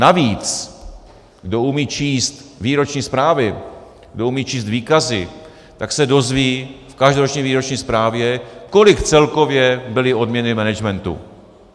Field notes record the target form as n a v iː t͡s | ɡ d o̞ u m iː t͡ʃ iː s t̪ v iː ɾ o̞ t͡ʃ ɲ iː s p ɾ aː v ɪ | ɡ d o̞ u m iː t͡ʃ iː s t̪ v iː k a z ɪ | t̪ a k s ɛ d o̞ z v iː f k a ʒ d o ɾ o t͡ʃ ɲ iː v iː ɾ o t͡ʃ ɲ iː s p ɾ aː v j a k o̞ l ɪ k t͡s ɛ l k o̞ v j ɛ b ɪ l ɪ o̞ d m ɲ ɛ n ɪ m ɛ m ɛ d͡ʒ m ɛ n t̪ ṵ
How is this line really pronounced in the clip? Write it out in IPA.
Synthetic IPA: n a v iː t͡s | ɡ d o̞ u m iː t͡ʃ iː s t̪ v iː ɾ o̞ t͡ʃ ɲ iː s p ɾ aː v ɪ | ɡ d o̞ u m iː t͡ʃ iː s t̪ v iː k a z ɪ | t̪ a k s ɛ d o̞ z v iː f k a ʒ d o ɾ o t͡ʃ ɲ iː v iː ɾ o t͡ʃ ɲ iː s p ɾ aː v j ɛ k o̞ l ɪ k t͡s ɛ l k o̞ v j ɛ b ɪ l ɪ o̞ d m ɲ ɛ n ɪ m ɛ n ɛ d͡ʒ m ɛ n t̪ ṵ